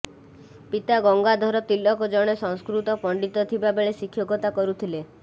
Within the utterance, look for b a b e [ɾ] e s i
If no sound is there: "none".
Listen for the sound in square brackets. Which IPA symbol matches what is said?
ɭ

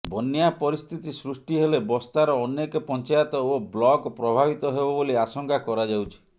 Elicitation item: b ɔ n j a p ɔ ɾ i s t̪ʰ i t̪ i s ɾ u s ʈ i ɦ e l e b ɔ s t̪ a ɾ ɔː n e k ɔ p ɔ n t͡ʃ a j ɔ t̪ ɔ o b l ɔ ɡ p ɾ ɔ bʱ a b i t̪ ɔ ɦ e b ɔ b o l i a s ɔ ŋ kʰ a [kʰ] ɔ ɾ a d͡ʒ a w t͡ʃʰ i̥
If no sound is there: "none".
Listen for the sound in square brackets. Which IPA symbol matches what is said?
k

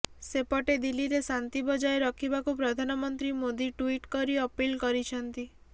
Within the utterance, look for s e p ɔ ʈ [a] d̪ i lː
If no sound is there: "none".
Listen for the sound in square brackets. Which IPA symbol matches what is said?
e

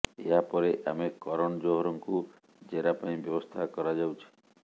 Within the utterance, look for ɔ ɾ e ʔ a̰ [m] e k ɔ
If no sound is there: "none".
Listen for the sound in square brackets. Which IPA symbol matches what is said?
m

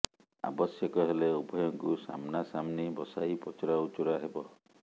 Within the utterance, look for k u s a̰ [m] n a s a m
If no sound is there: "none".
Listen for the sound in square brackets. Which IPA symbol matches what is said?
m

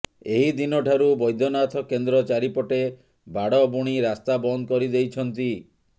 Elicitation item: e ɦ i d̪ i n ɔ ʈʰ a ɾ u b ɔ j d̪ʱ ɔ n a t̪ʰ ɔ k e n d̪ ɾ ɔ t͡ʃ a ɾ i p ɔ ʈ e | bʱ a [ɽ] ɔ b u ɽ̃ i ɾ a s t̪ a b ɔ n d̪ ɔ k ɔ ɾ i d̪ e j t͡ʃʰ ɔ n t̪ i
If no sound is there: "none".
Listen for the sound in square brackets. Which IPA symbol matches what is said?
ɽ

